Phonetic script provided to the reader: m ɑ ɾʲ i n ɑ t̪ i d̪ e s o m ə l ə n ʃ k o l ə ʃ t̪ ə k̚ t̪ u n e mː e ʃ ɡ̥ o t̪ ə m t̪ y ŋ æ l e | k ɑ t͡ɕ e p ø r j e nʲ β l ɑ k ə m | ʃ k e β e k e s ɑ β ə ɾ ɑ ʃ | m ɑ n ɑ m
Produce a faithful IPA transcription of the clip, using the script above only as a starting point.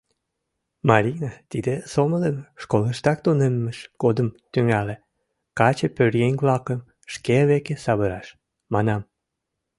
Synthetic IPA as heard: m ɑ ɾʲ i n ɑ t̪ i d̪ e s o m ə l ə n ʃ k o l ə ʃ t̪ ɑ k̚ t̪ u n e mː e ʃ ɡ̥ o d̪ ə m t̪ y ŋ æ l e | k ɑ t͡ɕ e p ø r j e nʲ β l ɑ k ə m | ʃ k e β e k e s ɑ β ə ɾ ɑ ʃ | m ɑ n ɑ m